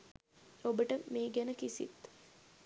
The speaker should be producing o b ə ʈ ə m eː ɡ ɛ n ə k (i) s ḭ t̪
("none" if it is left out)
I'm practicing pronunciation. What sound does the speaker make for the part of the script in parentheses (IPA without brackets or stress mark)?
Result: i